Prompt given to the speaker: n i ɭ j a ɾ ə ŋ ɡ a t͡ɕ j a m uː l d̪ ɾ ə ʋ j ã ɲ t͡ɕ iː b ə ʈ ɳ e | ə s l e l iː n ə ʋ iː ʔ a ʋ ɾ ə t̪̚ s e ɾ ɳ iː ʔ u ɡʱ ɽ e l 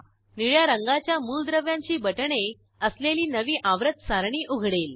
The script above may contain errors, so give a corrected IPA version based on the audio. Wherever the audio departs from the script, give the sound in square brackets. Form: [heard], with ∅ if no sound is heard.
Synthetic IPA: n i ɭ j a ɾ ə ŋ ɡ a t͡ɕ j a m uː l d̪ ɾ ə ʋ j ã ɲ t͡ɕ iː b ə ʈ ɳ e | ə s l e l iː n ə ʋ iː ʔ a ʋ ɾ ə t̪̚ s [a] ɾ ɳ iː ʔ u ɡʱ ɽ e l